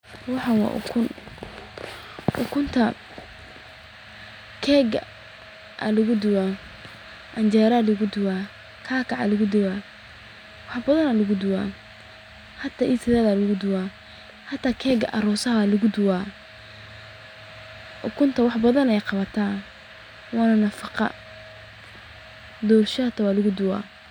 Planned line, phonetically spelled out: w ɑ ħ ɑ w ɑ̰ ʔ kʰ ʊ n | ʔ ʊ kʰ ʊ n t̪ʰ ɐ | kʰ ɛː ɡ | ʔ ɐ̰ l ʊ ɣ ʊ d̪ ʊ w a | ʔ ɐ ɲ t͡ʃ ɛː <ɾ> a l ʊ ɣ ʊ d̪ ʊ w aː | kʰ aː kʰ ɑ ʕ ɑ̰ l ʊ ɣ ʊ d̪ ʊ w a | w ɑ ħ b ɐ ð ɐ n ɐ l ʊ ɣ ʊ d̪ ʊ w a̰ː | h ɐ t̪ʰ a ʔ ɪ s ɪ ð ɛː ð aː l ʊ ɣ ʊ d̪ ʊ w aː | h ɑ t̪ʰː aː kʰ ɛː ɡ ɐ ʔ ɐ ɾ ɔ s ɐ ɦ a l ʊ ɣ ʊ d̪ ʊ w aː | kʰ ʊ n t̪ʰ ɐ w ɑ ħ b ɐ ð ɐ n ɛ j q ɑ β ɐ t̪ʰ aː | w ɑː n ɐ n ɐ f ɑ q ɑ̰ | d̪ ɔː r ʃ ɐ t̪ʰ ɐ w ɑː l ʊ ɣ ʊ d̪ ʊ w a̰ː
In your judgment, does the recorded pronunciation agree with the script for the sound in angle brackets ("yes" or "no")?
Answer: yes